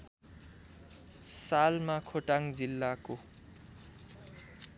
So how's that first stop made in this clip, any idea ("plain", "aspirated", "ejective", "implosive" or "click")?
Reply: aspirated